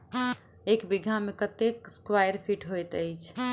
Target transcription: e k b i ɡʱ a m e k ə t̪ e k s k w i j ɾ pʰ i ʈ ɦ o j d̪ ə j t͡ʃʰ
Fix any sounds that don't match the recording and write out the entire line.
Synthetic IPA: e k b i ɡʱ a m e k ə t̪ e k s k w a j ɾ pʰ i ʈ ɦ o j t̪ ə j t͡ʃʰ